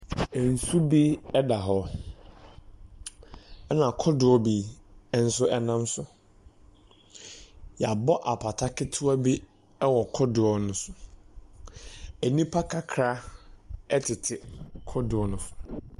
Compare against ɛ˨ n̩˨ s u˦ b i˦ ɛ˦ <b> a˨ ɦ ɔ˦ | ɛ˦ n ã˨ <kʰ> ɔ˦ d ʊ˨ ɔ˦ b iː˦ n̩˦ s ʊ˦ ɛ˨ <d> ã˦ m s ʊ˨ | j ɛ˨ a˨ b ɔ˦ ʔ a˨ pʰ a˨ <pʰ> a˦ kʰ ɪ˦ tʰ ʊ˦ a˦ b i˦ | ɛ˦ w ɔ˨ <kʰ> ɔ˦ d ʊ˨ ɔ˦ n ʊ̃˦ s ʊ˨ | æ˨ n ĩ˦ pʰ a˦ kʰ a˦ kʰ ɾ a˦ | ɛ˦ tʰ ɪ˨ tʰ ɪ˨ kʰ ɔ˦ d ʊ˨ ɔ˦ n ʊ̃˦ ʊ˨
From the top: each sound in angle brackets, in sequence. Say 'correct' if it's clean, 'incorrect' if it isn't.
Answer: incorrect: d, correct, incorrect: n, incorrect: tʰ, correct

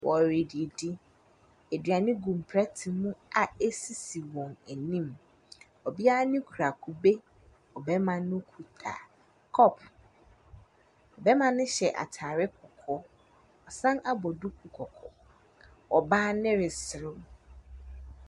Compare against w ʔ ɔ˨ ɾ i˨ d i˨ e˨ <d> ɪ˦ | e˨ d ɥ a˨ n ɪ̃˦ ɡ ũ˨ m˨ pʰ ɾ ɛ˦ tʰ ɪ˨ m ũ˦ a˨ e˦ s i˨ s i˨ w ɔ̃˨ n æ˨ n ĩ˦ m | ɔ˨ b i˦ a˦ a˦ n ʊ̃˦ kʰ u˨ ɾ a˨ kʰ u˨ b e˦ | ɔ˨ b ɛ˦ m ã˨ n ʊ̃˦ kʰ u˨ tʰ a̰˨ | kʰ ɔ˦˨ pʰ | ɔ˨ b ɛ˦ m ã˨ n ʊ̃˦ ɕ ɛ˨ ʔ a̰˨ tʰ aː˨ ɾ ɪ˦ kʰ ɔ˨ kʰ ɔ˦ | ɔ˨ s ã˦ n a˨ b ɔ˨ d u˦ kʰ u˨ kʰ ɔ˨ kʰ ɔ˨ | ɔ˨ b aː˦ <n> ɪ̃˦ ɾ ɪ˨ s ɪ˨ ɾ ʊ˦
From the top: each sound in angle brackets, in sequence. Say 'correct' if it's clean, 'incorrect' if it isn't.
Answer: correct, correct

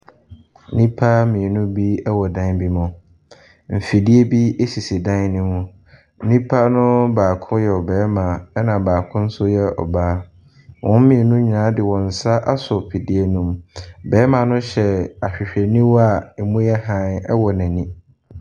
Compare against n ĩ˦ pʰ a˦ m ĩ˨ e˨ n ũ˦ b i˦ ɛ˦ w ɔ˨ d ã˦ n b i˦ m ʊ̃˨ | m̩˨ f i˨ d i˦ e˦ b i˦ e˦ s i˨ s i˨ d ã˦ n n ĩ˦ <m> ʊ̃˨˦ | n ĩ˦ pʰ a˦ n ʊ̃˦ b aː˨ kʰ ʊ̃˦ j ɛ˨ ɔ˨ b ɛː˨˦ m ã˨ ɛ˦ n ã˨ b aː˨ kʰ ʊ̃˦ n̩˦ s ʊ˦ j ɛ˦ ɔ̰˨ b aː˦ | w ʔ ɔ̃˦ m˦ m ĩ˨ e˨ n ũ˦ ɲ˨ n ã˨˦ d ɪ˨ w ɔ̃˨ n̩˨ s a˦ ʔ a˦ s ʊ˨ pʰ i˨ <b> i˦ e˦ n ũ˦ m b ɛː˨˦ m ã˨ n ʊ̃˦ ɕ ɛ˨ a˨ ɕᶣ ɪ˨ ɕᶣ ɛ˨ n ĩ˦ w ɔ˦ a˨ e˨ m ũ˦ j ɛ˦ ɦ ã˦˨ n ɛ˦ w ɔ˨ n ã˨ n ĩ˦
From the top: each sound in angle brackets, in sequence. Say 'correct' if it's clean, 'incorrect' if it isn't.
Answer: correct, incorrect: d

